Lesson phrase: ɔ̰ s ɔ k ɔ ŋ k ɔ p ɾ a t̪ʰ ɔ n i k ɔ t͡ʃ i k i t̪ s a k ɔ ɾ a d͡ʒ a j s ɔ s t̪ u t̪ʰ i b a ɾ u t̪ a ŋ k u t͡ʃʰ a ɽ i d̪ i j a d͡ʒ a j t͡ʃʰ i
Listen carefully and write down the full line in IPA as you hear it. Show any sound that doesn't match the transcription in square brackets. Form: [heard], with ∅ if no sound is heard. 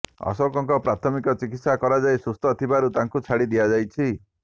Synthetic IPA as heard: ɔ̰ s ɔ k ɔ ŋ k ɔ p ɾ a t̪ʰ ɔ [m] i k ɔ t͡ʃ i k i t̪ s a k ɔ ɾ a d͡ʒ a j s [u] s t̪ [ɔ] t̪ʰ i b a ɾ u t̪ a ŋ k u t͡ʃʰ a ɽ i d̪ i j a d͡ʒ a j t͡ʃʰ i